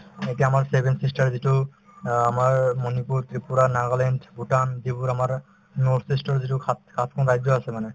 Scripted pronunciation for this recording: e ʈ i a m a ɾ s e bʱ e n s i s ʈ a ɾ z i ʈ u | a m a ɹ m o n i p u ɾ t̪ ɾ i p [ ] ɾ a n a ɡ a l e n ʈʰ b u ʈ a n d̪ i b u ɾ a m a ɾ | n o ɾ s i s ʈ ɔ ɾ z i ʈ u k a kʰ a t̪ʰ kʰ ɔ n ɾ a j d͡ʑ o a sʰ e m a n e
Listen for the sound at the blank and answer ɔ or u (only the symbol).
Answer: u